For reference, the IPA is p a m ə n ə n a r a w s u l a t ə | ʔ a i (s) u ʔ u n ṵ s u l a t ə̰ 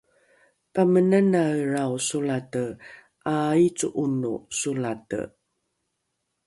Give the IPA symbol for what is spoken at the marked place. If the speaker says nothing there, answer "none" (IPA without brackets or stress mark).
t͡s